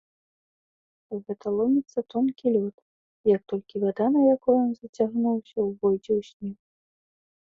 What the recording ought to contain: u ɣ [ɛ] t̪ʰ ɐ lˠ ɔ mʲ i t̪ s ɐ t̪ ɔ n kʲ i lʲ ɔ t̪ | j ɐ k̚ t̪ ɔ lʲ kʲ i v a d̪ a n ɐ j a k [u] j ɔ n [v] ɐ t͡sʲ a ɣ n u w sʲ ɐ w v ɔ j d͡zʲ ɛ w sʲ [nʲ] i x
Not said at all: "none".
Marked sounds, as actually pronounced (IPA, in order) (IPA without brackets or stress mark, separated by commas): ɛ, ɔ, z, nʲ